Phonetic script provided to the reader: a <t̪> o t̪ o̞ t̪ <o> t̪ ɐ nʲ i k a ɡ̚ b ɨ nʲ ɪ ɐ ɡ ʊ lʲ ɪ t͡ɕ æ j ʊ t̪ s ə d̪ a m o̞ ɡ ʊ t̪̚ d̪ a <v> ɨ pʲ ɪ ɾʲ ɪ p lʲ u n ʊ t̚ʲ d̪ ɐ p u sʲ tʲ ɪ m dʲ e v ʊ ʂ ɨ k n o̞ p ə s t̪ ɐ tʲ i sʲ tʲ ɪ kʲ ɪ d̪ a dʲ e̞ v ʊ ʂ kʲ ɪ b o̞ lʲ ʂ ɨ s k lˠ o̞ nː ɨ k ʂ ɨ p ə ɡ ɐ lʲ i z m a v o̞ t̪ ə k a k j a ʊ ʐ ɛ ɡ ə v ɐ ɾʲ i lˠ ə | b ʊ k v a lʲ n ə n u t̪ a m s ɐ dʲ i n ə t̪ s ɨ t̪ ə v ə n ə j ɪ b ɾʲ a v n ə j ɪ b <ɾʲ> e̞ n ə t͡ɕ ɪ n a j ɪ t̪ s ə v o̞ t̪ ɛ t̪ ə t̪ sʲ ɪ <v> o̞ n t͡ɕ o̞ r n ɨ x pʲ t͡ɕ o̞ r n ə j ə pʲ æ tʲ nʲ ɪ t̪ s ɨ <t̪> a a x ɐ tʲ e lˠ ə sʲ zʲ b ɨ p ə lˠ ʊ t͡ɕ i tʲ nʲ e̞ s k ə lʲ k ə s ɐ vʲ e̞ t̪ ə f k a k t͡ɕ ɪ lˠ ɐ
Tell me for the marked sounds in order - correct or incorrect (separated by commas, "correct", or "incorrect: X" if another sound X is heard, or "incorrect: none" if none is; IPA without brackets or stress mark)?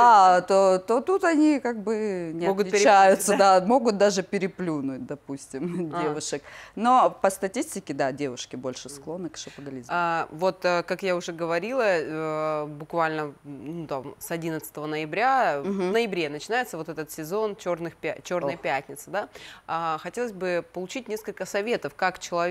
correct, incorrect: u, incorrect: ʐ, correct, incorrect: z, incorrect: d̪